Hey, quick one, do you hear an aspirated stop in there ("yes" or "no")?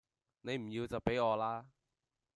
no